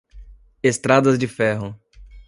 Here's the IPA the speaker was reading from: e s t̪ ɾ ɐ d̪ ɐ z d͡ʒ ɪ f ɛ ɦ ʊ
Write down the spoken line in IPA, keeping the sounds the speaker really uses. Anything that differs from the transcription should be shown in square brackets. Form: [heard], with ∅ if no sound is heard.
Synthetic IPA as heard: e s t̪ ɾ [a] d̪ ɐ z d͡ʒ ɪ f ɛ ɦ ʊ